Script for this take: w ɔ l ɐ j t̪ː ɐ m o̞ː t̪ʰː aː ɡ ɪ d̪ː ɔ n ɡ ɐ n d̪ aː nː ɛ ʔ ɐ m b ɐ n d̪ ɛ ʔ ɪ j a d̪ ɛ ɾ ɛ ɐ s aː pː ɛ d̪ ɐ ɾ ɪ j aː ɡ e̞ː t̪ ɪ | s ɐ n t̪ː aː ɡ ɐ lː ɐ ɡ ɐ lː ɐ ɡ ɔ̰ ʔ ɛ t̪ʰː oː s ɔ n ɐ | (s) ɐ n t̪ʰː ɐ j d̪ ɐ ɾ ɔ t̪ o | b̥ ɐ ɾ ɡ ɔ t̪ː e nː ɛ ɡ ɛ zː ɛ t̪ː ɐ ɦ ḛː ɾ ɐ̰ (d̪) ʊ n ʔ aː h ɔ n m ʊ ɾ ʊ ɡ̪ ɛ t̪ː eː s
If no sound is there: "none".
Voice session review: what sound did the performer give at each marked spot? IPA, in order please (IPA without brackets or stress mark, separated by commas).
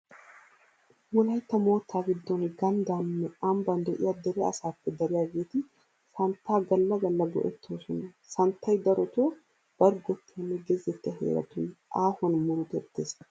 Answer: s, t̪